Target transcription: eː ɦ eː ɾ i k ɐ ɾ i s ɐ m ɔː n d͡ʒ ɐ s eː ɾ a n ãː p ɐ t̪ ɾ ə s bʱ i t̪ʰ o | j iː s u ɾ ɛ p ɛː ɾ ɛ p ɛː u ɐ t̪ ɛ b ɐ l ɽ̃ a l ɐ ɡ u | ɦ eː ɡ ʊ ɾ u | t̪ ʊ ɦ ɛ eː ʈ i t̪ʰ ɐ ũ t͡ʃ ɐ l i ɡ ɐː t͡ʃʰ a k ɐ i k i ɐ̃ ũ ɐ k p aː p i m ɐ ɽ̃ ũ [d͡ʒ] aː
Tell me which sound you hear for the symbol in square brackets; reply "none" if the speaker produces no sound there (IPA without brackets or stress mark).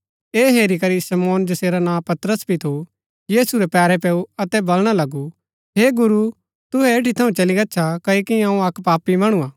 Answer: none